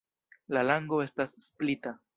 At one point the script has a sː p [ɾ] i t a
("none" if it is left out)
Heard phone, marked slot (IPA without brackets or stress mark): l